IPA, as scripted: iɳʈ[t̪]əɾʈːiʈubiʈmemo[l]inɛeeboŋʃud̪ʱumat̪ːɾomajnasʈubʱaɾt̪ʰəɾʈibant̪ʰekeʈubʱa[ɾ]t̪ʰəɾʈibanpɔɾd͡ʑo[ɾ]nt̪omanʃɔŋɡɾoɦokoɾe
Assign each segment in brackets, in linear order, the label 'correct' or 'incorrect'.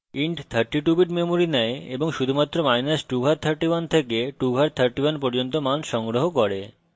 incorrect: t̪ʰ, incorrect: ɾ, correct, incorrect: none

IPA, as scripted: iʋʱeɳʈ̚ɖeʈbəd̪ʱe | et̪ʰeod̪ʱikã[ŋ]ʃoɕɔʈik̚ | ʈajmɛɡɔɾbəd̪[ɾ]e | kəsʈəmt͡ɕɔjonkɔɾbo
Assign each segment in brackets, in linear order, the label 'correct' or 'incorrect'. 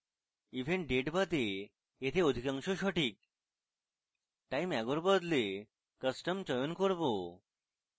correct, incorrect: l

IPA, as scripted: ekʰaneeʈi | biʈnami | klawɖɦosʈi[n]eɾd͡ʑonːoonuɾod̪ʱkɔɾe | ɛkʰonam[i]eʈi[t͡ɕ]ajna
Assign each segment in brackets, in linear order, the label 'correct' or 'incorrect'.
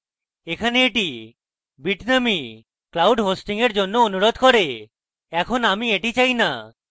incorrect: ŋ, correct, correct

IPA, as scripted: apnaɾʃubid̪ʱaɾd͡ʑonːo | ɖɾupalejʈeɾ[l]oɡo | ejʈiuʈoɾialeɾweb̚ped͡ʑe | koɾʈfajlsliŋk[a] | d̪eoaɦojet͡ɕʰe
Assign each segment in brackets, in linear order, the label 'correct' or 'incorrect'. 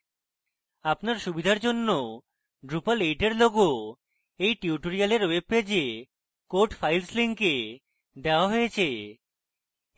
correct, incorrect: e

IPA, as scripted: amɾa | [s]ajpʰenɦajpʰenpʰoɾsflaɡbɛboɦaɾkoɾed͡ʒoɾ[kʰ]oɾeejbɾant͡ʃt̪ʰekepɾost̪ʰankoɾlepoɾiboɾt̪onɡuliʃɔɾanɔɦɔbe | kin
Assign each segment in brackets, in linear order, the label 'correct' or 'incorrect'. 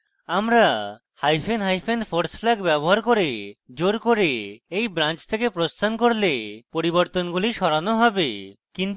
incorrect: h, incorrect: k

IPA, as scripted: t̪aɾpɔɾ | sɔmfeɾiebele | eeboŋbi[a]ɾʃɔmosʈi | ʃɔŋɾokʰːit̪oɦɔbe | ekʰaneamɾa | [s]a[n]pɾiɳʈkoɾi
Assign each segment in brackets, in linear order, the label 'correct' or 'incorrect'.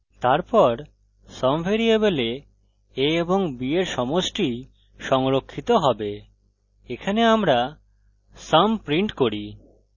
incorrect: e, correct, incorrect: m

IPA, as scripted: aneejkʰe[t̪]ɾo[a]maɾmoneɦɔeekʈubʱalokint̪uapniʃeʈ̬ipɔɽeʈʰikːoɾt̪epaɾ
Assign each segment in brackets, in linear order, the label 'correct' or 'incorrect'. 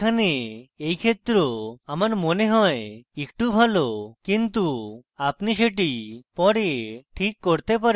correct, correct

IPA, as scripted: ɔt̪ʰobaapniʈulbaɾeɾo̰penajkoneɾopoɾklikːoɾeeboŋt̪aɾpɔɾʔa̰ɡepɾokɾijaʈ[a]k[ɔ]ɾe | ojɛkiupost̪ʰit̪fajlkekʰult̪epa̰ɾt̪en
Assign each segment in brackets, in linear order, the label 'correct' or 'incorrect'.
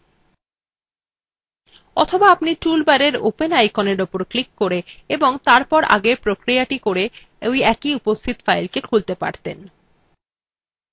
incorrect: i, incorrect: o

